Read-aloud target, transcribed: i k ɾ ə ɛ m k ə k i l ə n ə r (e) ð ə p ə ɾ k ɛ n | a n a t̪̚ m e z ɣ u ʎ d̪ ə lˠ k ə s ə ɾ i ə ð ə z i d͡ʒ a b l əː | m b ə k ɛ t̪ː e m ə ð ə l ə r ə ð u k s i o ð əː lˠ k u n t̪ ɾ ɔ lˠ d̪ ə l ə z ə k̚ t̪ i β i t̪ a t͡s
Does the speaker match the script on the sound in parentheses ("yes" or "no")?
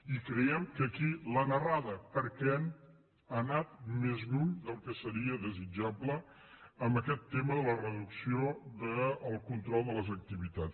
no